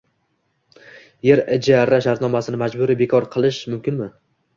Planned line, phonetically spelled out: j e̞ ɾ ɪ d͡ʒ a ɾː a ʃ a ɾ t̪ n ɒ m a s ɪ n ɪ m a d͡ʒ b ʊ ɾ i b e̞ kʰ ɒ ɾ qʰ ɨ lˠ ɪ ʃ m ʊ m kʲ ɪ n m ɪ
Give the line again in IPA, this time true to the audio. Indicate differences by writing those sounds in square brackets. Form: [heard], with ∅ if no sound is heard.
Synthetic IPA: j e̞ ɾ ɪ d͡ʒ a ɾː a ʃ a ɾ t̪ n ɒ m a s ɪ n ɪ m a d͡ʒ b ʊ ɾ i b e̞ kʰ ɒ ɾ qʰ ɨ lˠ ɪ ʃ m ʊ m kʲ ɪ n m ɪ